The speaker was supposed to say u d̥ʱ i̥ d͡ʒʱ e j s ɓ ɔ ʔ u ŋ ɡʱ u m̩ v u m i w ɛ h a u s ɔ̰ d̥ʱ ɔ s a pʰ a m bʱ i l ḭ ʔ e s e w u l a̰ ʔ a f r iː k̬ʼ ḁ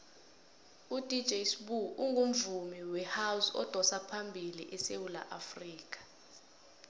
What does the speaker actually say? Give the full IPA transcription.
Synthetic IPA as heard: u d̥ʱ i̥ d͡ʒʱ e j s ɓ u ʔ u ŋ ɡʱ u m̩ v u m i w ɛ h a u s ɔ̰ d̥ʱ ɔ s a pʰ a m bʱ i l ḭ ʔ ɛ s e w u l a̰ ʔ a f r iː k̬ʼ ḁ